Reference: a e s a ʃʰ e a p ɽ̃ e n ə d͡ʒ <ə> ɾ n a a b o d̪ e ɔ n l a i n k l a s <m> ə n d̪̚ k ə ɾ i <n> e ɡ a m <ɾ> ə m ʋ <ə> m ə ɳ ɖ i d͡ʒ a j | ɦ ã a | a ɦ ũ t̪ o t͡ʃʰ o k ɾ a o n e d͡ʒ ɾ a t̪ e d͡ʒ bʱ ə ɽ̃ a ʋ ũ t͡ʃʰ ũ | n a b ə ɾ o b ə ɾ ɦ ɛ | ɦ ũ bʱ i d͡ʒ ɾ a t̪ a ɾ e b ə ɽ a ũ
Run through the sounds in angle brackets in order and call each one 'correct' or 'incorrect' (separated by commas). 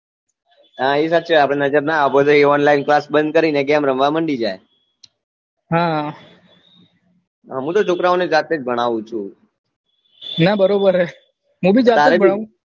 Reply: correct, incorrect, correct, correct, incorrect